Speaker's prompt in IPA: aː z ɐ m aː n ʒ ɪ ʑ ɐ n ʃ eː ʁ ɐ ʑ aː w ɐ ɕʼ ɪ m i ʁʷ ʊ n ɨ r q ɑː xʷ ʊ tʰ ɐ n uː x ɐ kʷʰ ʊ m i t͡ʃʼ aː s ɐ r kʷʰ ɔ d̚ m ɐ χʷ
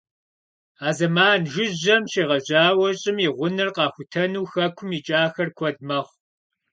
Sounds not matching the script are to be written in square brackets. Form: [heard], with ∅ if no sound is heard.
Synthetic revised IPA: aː z ɐ m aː n ʒ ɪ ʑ ɐ [m] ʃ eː ʁ ɐ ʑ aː w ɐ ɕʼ ɪ m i ʁʷ ʊ n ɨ r q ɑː xʷ ʊ tʰ ɐ n uː x ɐ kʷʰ ʊ m i t͡ʃʼ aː [x] ɐ r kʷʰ ɔ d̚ m ɐ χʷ